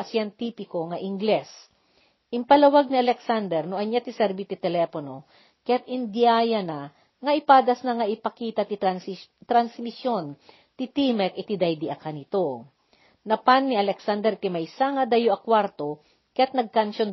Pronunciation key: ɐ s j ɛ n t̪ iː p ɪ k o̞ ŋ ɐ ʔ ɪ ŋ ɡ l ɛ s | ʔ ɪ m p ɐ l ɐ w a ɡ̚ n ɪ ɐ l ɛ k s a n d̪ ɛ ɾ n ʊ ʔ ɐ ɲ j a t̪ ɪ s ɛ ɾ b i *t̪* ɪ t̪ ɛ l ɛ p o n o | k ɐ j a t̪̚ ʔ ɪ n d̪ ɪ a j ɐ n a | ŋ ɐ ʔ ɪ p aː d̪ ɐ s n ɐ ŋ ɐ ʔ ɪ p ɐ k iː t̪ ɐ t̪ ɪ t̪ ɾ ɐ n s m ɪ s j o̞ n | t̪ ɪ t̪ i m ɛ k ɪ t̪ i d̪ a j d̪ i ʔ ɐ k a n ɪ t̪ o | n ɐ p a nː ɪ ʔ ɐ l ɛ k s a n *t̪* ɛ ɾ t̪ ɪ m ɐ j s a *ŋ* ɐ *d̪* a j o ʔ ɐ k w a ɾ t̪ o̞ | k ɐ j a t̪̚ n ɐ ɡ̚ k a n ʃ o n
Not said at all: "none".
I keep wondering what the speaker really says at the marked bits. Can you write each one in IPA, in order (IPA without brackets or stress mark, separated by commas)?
t̪, d̪, ŋ, d̪